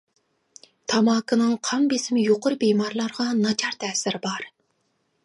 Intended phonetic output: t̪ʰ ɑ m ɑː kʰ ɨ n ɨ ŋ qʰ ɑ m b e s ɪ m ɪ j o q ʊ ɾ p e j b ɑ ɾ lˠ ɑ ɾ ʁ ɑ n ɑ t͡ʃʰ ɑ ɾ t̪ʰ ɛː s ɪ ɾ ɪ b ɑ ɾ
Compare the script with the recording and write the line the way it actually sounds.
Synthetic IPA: t̪ʰ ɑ m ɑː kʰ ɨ n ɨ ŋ qʰ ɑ m b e s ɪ m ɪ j o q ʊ ɾ b e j m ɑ ɾ lˠ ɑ ɾ ʁ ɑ n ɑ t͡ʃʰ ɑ ɾ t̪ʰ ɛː s ɪ ɾ ɪ b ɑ ɾ